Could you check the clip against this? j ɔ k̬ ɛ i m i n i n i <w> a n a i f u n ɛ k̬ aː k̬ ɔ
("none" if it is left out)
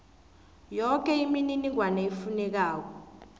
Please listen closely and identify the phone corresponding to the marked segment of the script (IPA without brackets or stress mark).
w